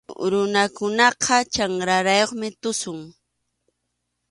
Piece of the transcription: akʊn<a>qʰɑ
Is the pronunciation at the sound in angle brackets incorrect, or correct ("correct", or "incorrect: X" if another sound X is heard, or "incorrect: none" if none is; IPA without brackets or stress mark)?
incorrect: ɑ